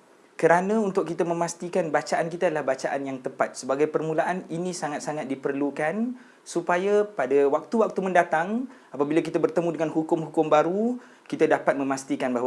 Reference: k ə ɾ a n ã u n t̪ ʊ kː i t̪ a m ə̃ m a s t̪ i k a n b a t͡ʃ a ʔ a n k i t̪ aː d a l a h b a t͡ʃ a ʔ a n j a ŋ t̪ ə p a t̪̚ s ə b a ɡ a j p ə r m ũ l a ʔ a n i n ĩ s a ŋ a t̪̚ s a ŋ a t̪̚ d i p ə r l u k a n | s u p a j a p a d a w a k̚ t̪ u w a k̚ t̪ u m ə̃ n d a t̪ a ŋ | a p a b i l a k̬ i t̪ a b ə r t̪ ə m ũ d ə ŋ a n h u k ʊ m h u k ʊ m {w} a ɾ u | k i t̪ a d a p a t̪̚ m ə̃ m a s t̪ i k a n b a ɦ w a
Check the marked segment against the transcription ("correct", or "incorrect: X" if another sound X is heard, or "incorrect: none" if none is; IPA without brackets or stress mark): incorrect: b